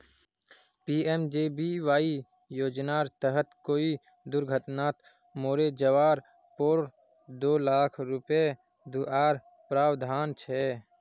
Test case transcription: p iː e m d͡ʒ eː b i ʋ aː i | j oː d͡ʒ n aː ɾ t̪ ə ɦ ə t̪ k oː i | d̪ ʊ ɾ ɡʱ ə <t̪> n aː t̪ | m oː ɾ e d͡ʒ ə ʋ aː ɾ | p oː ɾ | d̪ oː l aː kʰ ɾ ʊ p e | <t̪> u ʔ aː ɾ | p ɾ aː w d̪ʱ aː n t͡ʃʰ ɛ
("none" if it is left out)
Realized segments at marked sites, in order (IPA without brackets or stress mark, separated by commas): t̪, d̪